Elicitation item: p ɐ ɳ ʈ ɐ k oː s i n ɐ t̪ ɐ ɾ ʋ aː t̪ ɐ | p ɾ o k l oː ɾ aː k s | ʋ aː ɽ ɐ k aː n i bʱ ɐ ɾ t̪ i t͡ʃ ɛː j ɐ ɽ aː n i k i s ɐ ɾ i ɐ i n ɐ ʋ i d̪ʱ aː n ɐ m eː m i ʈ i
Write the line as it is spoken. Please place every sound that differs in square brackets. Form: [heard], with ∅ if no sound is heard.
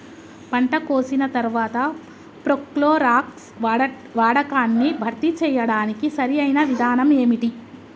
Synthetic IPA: p ɐ ɳ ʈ ɐ k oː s i n ɐ t̪ ɐ ɾ ʋ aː t̪ ɐ | p ɾ o k l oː ɾ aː k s | ʋ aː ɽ ɐ k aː [nː] i bʱ ɐ ɾ t̪ i t͡ʃ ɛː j ɐ ɽ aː n i k i s ɐ ɾ i ɐ [j] n ɐ ʋ i d̪ʱ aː n ɐ m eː m i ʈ i